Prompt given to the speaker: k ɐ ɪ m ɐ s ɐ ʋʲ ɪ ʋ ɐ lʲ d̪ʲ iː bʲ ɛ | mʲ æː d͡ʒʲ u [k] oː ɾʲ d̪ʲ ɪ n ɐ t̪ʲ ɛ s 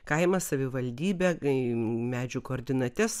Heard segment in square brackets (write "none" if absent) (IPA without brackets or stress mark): k